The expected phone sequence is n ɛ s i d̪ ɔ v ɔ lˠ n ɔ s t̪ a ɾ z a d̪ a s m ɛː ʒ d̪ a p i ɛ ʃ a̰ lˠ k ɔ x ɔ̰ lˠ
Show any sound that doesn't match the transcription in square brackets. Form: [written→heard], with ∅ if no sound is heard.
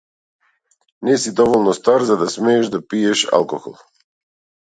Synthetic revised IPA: n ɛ s i d̪ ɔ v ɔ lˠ n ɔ s t̪ a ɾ z a d̪ a s m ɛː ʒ d̪ a p i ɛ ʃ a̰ lˠ k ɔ x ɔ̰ lˠ